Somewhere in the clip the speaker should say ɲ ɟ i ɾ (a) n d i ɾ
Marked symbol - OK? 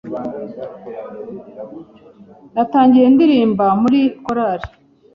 no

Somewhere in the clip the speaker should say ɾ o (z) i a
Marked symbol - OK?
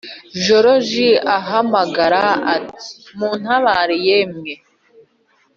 no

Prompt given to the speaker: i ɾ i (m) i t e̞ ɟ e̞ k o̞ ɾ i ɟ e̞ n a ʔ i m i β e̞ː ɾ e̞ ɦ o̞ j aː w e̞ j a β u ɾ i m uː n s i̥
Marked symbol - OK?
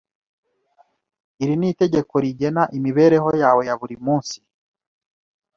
no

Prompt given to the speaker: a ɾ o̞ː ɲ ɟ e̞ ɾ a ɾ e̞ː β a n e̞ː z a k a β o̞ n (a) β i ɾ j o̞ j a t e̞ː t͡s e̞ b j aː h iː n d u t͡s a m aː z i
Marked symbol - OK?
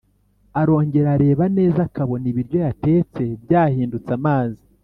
no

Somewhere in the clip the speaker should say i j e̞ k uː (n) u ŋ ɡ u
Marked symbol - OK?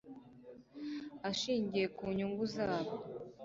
no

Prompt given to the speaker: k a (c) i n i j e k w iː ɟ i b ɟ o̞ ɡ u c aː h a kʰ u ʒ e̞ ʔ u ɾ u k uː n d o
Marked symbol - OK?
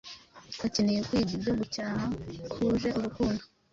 yes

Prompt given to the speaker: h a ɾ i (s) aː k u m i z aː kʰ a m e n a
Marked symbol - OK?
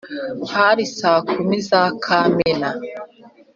yes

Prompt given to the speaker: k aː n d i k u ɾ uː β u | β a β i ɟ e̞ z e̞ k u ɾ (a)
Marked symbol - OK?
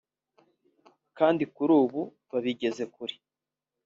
no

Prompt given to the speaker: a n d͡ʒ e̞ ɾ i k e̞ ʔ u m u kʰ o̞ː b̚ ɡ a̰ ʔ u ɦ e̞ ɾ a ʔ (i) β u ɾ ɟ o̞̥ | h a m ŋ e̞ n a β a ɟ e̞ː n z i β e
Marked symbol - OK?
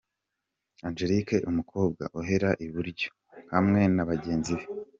yes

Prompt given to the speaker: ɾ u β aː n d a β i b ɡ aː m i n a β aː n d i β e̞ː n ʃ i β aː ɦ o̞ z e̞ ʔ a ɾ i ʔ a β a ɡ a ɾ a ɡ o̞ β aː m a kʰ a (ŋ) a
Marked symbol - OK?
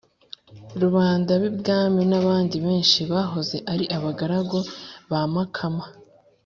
no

